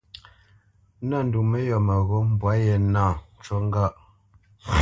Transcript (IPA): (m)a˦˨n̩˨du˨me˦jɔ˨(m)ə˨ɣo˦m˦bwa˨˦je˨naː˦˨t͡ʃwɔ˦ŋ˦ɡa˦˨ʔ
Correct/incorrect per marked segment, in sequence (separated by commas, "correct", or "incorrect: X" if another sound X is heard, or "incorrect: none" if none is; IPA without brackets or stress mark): incorrect: n, correct